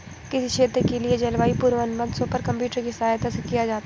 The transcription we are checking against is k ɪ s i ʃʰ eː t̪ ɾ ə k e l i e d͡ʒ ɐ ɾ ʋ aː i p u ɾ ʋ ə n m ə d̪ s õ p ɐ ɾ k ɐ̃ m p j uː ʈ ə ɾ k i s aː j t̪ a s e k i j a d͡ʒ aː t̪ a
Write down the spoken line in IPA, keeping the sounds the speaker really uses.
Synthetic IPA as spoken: k ɪ s i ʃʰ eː t̪ ɾ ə k e l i e d͡ʒ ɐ l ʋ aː i p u ɾ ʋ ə n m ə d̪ s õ p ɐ ɾ k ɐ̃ m p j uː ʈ ə ɾ k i s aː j t̪ a s e k i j a d͡ʒ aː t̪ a